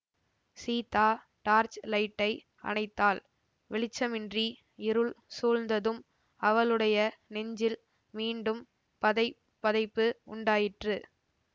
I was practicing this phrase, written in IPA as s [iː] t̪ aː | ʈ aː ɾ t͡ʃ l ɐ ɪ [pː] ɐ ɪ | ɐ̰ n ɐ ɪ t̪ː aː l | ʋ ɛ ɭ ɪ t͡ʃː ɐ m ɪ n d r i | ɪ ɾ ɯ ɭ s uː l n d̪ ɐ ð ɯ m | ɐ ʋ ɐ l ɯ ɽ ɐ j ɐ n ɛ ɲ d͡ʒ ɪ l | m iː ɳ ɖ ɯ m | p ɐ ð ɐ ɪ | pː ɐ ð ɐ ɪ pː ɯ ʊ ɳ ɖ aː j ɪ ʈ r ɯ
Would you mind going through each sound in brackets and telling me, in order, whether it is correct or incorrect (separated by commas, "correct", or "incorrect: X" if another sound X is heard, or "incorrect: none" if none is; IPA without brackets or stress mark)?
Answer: correct, incorrect: ʈː